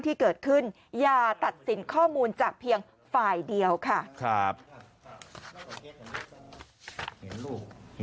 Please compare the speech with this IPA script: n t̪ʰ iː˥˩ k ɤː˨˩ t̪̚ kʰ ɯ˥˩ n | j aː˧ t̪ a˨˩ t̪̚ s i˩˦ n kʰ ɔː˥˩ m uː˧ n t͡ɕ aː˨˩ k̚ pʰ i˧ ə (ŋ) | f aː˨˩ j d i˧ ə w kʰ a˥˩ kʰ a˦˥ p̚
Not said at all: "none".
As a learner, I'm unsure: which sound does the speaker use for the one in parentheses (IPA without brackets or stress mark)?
ŋ